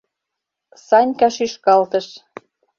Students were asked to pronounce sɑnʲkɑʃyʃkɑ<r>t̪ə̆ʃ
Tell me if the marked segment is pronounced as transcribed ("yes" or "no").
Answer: no